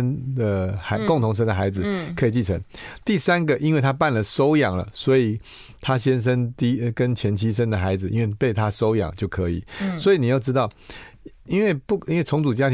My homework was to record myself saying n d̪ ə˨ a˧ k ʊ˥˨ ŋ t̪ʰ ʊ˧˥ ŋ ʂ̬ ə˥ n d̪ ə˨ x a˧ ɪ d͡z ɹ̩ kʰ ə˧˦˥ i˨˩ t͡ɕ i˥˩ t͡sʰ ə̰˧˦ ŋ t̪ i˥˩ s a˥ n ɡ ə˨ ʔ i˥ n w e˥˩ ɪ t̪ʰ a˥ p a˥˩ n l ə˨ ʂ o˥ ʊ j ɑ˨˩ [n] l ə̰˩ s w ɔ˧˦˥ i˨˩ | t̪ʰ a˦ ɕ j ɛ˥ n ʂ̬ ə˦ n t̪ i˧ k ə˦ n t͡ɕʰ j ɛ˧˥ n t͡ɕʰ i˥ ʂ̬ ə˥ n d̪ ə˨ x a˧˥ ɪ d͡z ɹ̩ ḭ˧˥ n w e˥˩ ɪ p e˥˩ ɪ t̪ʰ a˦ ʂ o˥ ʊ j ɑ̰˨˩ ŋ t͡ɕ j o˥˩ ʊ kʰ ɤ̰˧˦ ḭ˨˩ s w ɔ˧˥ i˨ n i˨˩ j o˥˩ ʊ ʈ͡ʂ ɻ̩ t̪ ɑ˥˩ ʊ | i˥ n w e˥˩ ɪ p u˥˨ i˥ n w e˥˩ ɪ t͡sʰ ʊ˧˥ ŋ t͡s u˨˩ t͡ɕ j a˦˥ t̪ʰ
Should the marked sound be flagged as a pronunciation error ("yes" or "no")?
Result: yes